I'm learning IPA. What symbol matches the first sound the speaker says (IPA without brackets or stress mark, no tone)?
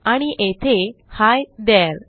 a